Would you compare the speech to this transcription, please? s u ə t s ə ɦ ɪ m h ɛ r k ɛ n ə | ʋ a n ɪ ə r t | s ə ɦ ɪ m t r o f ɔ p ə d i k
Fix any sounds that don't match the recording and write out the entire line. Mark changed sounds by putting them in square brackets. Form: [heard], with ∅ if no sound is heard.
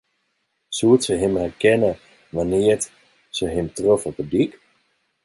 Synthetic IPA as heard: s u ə t s ə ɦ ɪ m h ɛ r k ɛ n ə | ʋ a n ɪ ə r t | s ə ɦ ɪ m t r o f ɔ p ə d i k

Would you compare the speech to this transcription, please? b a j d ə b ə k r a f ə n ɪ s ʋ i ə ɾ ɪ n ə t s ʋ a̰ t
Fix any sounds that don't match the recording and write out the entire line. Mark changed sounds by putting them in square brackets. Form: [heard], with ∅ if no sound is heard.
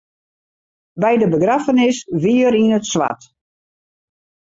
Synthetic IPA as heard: b [ɛ] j d ə b ə [ɡ] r a f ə n ɪ s ʋ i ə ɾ [i] n ə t s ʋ a̰ t

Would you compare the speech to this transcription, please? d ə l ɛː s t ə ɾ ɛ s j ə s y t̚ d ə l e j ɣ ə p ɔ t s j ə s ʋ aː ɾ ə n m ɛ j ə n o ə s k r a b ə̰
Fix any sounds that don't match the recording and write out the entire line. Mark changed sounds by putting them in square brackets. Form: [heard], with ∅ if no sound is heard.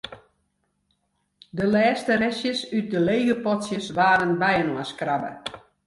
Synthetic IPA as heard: d ə l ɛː s t ə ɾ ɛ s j ə s y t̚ d ə l e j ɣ ə p ɔ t s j ə s ʋ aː ɾ ə n [b] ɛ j ə n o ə s k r a b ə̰

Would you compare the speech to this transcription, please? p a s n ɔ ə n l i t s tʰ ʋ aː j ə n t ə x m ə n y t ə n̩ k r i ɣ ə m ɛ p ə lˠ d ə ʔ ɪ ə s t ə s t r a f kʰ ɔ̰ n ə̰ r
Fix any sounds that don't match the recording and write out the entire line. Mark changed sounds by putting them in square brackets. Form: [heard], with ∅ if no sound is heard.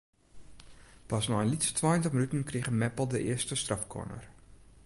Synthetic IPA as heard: p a s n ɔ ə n l i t s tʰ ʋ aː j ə n t ə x m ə n y t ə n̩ k r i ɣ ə m ɛ p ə lˠ d ə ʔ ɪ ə s t ə s t r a f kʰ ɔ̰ n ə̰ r

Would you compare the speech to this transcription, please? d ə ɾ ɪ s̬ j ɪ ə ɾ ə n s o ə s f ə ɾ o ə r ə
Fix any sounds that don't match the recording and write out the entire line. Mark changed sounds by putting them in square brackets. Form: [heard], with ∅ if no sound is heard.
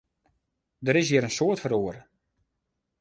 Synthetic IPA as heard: d ə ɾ ɪ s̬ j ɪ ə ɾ ə n s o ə [t] f ə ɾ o ə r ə

